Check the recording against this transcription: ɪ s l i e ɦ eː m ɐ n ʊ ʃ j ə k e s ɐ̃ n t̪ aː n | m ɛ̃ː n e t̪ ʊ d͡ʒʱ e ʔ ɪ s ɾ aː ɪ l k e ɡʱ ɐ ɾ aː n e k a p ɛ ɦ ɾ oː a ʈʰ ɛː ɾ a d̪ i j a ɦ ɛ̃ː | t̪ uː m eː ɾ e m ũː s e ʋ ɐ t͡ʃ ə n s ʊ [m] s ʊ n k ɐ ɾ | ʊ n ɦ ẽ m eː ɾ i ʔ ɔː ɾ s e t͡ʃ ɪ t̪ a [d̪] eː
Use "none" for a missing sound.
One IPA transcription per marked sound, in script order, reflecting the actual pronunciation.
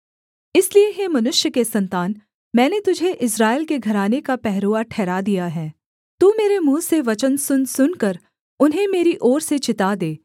n, d̪

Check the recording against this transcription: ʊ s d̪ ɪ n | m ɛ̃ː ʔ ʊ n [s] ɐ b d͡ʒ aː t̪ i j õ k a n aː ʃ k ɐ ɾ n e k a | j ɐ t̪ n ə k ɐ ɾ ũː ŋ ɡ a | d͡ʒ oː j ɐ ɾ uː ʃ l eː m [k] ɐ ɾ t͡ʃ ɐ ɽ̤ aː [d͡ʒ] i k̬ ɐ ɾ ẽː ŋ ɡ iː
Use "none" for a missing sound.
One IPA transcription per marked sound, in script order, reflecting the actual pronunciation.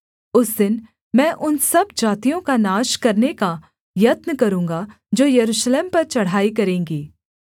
s, p, none

